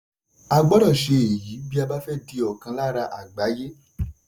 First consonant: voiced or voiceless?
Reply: voiced